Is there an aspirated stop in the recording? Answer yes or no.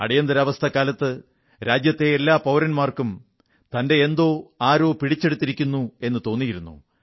yes